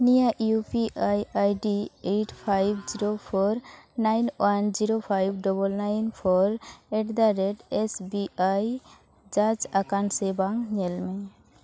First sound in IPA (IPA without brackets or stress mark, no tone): n